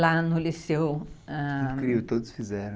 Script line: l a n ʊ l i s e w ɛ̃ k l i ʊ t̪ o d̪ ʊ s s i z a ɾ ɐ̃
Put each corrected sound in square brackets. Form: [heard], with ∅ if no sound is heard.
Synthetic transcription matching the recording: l a n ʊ l i s e w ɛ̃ k [ɾ] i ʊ t̪ o d̪ ʊ s [f] i z [ɛ] ɾ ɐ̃